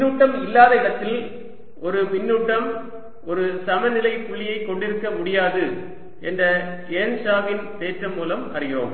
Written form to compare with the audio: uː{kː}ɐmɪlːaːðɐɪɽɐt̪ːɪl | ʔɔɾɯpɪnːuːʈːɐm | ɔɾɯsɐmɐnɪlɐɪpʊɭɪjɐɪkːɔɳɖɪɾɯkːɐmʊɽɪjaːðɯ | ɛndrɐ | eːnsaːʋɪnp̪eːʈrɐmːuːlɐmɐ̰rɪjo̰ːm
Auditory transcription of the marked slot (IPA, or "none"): ʈː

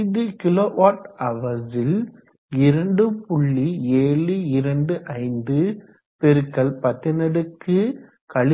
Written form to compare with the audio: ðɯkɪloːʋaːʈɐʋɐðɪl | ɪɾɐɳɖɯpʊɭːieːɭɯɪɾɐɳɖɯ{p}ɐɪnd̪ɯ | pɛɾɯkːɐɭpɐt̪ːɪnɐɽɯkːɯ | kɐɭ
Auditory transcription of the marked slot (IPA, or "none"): ʔ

